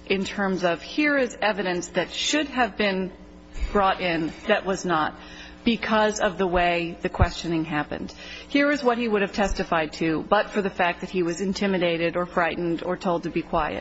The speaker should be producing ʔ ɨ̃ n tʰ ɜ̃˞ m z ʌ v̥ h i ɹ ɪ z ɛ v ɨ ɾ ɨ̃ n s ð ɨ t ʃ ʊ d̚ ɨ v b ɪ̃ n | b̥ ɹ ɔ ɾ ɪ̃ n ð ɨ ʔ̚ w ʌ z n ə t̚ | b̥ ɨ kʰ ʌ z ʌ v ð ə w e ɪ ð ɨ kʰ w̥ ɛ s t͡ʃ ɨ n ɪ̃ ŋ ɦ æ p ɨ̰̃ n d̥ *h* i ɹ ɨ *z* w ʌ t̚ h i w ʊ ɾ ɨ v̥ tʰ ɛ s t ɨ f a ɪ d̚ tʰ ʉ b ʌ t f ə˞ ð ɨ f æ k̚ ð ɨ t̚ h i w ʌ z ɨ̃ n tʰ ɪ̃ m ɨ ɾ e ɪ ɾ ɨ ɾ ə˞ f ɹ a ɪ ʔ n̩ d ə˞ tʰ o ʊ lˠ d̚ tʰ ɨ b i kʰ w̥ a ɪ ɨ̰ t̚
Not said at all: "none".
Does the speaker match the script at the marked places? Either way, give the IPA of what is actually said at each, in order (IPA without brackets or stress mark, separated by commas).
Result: h, z